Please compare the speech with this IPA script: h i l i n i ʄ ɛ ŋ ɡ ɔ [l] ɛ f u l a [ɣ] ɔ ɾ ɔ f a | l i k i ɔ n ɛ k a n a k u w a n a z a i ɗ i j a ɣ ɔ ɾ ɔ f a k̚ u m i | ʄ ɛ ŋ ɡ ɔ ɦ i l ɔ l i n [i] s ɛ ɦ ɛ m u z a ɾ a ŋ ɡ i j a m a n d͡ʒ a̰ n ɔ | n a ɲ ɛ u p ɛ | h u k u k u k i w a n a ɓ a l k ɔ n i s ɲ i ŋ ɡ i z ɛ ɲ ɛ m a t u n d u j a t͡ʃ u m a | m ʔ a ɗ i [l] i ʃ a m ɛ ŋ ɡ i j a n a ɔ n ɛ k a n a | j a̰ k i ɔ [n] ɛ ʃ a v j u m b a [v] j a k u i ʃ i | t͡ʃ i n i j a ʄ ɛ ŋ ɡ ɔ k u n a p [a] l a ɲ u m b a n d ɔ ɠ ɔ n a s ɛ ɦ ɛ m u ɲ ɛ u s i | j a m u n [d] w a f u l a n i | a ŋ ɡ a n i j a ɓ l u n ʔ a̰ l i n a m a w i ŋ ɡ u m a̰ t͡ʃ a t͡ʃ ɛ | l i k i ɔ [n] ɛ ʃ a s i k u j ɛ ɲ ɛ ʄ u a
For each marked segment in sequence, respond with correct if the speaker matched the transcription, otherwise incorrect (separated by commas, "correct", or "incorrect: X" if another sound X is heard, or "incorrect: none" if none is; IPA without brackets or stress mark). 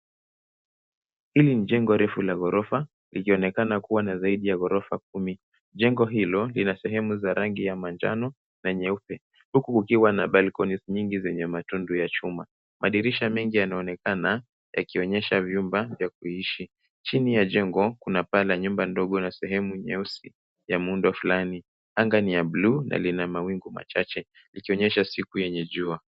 incorrect: ɾ, correct, incorrect: a, incorrect: ɾ, incorrect: ɲ, correct, correct, correct, incorrect: ɲ